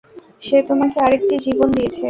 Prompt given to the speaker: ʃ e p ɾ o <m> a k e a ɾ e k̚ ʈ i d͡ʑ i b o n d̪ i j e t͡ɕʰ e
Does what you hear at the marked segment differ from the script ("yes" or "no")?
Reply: no